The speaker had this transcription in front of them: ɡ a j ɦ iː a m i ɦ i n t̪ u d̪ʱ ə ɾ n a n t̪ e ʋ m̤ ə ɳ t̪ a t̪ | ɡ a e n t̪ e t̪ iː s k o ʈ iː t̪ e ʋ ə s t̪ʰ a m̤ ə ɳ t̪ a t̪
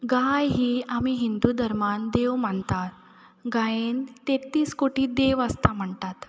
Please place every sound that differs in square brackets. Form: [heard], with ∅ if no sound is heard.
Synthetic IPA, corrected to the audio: ɡ a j ɦ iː a m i ɦ i n [d̪] u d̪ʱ ə ɾ [m] a n [d̪] e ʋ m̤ ə ɳ t̪ a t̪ | ɡ a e n t̪ e t̪ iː s k o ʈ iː [d̪] e ʋ ə s [t̪] a m̤ ə ɳ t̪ a t̪